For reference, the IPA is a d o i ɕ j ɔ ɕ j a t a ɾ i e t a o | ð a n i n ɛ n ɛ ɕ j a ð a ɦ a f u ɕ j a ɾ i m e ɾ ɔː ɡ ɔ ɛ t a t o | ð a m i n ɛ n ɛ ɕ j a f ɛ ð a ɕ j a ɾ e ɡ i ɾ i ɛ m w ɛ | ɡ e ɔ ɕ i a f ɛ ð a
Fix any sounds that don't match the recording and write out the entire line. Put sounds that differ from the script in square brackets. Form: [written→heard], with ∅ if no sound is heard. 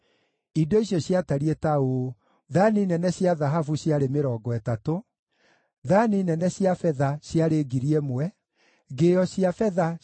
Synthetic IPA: [a→i] d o i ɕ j ɔ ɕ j a t a ɾ i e t a o | ð a n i n ɛ n ɛ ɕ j a ð a ɦ a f u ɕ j a ɾ [i→e] m e ɾ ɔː ɡ ɔ ɛ t a t o | ð a [m→n] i n ɛ n ɛ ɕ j a f ɛ ð a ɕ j a ɾ e ɡ i ɾ i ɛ m w ɛ | ɡ e ɔ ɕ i a f ɛ ð a